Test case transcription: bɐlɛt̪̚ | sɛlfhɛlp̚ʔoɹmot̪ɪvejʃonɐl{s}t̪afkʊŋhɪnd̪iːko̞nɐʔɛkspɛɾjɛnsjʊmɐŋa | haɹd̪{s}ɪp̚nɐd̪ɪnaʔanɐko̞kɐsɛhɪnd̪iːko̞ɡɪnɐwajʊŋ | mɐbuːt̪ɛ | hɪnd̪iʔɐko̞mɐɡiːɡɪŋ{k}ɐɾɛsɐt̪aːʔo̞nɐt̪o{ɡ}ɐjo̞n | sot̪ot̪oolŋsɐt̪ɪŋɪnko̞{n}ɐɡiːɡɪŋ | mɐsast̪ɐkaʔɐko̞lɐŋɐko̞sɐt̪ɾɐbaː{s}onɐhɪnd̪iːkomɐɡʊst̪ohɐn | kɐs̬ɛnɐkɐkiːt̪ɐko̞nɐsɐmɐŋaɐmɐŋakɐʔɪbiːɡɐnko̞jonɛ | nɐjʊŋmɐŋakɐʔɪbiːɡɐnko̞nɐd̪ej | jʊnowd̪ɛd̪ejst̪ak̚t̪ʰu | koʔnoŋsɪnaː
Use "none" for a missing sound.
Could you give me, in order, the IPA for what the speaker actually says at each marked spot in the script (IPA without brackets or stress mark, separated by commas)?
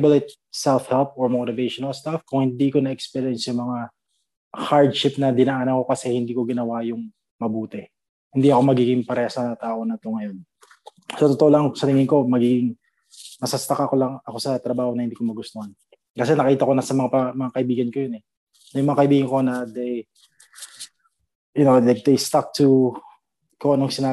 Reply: s, ʃ, p, ŋ, m, h